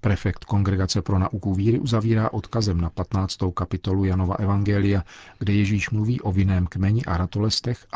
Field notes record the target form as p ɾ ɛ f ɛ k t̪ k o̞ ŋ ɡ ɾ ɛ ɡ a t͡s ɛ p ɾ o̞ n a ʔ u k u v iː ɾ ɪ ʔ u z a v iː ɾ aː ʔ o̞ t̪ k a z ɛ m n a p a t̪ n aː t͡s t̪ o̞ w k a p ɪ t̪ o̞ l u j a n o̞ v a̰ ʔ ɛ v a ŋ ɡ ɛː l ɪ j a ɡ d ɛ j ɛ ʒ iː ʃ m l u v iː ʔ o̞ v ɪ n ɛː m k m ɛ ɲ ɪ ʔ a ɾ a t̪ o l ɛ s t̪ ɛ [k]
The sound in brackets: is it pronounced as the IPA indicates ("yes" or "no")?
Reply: no